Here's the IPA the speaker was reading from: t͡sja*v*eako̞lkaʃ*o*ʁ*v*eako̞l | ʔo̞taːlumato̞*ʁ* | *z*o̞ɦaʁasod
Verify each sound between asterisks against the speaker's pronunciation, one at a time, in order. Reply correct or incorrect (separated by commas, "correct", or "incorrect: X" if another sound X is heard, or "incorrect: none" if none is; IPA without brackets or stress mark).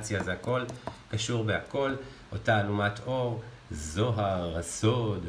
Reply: incorrect: z, incorrect: u, incorrect: b, correct, correct